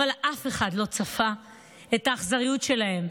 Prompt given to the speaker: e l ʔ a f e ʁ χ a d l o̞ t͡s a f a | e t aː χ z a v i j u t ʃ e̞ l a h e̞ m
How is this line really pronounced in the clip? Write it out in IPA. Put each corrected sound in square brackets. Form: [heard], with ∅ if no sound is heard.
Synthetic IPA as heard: [a] l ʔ a f e [∅] χ a d l o̞ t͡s a f a | e t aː χ z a [ʁ] i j u t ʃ e̞ l a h e̞ m